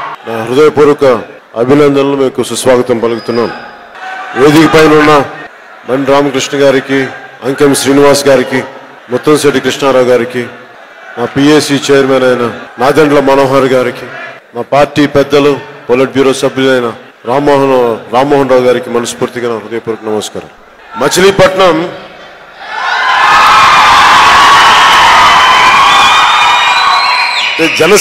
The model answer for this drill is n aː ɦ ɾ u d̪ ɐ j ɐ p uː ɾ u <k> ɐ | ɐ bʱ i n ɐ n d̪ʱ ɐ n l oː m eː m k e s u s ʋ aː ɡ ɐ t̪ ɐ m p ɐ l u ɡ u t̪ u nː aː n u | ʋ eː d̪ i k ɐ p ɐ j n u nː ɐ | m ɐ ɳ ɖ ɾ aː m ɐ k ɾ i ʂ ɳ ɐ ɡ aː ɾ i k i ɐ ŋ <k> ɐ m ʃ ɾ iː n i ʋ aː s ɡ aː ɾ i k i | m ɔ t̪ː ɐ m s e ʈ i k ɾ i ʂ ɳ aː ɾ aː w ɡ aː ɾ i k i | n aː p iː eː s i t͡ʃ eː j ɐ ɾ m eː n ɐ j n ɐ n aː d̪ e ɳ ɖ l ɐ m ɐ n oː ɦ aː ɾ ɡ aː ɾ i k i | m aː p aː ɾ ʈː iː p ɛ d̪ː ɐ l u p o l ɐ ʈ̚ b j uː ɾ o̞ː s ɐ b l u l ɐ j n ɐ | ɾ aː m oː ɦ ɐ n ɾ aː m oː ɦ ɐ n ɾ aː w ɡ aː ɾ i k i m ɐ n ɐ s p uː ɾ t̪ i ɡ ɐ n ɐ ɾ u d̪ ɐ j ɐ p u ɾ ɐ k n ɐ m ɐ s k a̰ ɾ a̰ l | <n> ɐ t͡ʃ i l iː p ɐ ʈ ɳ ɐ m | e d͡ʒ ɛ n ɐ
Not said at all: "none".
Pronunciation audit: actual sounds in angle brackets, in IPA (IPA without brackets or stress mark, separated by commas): k, k, m